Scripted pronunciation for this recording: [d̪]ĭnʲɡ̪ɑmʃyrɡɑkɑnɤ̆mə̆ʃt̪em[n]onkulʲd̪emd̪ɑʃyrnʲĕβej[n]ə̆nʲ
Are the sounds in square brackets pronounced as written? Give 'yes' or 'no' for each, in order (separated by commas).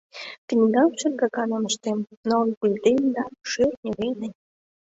no, yes, yes